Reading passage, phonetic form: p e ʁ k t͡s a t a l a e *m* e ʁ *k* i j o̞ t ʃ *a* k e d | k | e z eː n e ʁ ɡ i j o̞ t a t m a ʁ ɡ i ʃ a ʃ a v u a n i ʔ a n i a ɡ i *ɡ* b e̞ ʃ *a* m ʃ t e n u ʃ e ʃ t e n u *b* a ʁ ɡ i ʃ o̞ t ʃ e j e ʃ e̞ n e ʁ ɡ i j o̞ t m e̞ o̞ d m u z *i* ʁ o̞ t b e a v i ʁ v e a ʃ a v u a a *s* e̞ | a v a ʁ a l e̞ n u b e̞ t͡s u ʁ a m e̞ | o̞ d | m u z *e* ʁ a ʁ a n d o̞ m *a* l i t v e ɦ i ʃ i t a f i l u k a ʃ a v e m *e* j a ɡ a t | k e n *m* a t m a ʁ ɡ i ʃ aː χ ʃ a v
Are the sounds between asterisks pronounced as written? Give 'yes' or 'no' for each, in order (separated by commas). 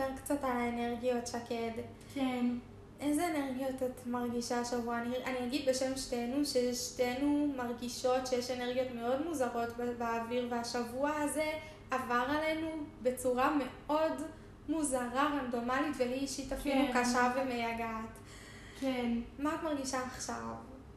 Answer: no, no, yes, no, no, no, no, no, no, yes, yes, yes